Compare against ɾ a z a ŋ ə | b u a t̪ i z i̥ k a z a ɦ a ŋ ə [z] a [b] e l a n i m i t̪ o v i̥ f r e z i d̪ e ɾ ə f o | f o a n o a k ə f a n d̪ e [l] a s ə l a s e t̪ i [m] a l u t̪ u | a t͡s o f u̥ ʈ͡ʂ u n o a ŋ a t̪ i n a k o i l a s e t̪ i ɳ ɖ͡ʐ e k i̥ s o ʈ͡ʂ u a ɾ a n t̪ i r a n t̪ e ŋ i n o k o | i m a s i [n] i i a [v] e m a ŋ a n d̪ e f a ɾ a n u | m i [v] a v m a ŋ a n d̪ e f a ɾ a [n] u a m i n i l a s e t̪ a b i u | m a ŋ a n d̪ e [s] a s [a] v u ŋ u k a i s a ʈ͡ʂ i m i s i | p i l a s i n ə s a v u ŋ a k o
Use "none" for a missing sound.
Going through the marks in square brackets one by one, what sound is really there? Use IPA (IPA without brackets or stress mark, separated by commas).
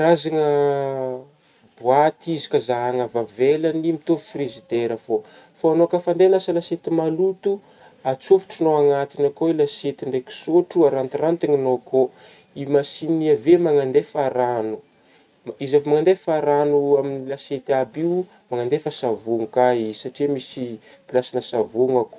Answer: v, v, l, m, n, v, z, n, f, a